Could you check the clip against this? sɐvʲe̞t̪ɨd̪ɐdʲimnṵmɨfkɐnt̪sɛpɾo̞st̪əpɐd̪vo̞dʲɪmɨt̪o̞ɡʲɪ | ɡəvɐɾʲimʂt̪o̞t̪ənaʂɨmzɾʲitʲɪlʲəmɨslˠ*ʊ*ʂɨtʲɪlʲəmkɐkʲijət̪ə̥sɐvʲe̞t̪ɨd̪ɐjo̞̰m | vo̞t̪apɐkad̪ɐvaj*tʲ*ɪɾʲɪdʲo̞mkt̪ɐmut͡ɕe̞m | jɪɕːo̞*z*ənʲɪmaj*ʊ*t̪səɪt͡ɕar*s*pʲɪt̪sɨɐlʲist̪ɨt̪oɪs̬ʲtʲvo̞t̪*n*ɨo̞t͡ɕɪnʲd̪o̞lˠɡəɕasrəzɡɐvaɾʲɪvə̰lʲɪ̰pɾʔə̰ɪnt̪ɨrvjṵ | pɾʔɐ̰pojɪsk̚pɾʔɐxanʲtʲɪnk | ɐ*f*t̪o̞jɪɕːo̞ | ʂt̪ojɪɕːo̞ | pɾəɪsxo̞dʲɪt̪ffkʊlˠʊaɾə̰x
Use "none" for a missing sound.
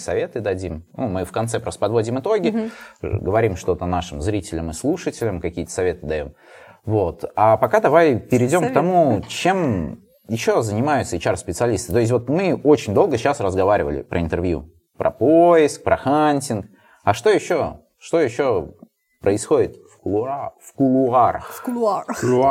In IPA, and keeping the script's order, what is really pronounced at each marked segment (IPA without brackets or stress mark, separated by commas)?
u, pʲ, z, ʊ, s, m, ʂ